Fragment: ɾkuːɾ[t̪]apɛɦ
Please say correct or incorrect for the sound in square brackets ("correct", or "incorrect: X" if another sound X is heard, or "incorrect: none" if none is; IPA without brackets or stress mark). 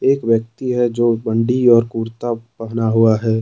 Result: correct